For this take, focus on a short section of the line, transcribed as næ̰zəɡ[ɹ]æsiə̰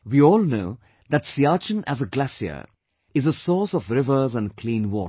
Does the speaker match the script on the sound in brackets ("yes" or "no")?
no